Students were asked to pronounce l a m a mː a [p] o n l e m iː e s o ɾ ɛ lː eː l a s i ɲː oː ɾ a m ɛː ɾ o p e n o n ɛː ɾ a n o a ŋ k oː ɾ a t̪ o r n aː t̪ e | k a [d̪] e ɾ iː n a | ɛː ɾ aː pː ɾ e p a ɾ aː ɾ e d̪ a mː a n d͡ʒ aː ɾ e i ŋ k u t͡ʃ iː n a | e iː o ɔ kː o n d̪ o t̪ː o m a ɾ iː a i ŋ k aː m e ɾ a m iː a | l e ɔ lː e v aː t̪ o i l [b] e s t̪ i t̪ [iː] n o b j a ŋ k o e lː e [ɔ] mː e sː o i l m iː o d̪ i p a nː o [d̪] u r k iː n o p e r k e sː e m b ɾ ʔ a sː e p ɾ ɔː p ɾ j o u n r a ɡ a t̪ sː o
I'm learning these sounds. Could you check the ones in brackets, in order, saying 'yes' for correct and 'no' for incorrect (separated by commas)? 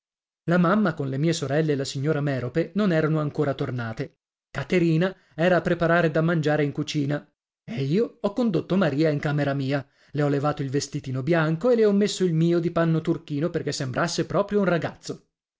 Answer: no, no, no, yes, yes, no